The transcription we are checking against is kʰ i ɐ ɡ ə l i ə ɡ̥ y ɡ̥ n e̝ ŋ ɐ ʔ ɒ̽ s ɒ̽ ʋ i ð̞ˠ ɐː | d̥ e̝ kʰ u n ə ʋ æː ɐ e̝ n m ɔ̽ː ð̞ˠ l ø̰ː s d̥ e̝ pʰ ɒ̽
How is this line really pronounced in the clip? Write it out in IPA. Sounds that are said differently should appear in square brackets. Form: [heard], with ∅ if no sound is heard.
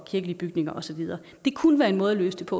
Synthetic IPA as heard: kʰ i ɐ ɡ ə l i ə [b̥] y ɡ̥ n e̝ ŋ ɐ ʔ ɒ̽ s ɒ̽ ʋ i ð̞ˠ ɐː | d̥ e̝ kʰ u n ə ʋ æː ɐ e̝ n m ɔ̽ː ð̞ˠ l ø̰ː s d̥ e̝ pʰ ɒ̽